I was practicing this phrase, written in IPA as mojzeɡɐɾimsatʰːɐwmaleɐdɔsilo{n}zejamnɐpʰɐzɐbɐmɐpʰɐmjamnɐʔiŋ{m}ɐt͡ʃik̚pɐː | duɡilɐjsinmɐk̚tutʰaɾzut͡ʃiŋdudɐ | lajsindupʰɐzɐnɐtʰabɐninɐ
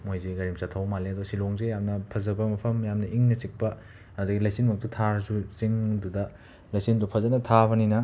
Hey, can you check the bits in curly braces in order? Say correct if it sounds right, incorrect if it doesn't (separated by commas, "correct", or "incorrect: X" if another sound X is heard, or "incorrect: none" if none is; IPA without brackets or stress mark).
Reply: incorrect: ŋ, incorrect: n